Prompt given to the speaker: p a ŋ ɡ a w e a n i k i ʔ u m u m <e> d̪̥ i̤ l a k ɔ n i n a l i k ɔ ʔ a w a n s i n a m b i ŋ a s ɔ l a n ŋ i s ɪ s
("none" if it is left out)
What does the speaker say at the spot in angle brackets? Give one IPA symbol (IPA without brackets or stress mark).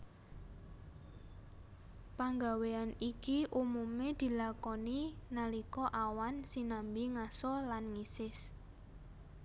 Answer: e